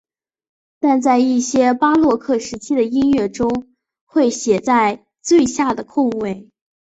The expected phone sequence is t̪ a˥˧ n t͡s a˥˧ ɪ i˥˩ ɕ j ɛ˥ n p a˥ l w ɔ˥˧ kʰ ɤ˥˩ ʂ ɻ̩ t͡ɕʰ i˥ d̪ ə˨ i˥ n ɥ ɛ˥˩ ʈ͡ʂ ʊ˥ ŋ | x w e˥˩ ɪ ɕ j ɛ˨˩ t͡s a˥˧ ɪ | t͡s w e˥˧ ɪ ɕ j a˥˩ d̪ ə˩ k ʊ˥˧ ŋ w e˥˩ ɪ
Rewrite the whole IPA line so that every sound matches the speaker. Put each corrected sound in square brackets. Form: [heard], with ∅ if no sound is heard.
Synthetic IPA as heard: t̪ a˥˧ n t͡s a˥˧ ɪ i˥˩ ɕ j ɛ˥ [∅] p a˥ l w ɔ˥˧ kʰ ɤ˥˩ ʂ ɻ̩ t͡ɕʰ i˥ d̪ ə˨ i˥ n ɥ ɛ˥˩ ʈ͡ʂ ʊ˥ ŋ | x w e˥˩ ɪ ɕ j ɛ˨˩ t͡s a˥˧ ɪ | t͡s w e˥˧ ɪ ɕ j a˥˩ d̪ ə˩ [kʰ] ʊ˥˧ ŋ w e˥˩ ɪ